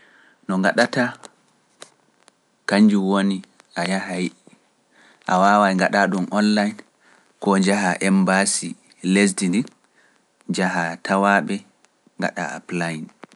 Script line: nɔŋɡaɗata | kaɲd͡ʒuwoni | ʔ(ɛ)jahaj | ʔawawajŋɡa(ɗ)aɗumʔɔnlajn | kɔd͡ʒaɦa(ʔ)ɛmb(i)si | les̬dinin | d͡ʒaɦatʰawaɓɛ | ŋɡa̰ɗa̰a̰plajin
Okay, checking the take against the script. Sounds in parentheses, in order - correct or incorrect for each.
incorrect, correct, correct, incorrect

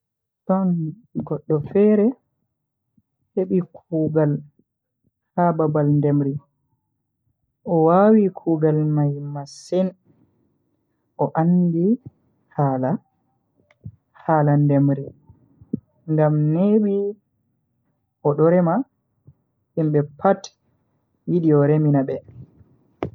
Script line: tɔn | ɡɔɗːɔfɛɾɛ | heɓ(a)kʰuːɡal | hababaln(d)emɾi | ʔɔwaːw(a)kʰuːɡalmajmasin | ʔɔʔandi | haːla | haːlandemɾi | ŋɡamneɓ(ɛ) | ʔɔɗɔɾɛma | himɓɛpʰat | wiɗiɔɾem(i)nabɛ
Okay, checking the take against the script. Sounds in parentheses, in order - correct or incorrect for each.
incorrect, correct, incorrect, incorrect, correct

